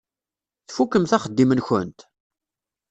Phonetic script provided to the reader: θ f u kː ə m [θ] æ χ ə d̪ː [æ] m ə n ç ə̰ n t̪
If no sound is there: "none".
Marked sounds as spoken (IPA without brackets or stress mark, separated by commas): θ, i